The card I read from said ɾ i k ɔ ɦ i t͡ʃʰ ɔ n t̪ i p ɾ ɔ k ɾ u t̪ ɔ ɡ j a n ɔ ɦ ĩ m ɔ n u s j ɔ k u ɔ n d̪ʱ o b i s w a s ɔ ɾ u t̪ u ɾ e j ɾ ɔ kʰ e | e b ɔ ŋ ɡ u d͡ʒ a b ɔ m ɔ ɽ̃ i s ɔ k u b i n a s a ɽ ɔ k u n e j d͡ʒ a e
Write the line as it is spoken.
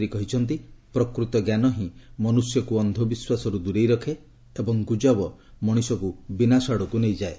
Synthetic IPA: ɾ i k ɔ ɦ i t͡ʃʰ ɔ n t̪ i p ɾ ɔ k ɾ u t̪ ɔ ɡ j a n ɔ ɦ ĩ m ɔ n u s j ɔ k u ɔ n d̪ʱ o b i s w a s ɔ ɾ u d̪ u ɾ e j ɾ ɔ kʰ e | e b ɔ ŋ ɡ u d͡ʒ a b ɔ m ɔ ɽ̃ i s ɔ k u b i n a s a ɽ ɔ k u n e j d͡ʒ a e